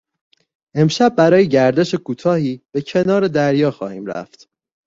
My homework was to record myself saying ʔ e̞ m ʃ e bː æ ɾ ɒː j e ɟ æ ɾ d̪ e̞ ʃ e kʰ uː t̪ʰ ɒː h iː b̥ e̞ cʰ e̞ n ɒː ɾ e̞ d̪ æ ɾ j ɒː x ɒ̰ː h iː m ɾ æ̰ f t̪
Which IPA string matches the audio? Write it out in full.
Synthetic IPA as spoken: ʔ e̞ m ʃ æ bː æ ɾ ɒː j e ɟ æ ɾ d̪ e̞ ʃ e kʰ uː t̪ʰ ɒː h iː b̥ e̞ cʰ e̞ n ɒː ɾ e̞ d̪ æ ɾ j ɒː x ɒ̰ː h iː m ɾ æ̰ f t̪